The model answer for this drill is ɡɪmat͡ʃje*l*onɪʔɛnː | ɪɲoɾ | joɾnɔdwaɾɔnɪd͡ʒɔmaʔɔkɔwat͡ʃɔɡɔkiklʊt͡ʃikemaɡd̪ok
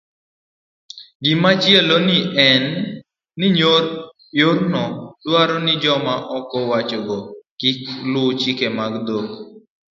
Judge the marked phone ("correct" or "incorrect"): correct